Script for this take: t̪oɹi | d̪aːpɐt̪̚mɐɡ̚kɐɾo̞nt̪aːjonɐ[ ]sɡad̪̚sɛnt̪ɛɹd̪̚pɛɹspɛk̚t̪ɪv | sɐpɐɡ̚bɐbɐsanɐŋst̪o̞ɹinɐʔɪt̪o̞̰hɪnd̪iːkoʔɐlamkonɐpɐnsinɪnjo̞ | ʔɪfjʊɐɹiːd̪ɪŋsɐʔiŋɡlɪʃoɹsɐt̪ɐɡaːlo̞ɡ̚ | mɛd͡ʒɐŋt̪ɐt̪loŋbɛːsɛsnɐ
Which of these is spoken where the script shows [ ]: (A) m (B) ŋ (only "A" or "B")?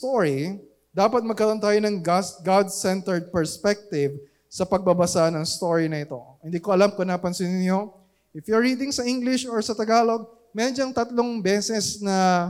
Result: B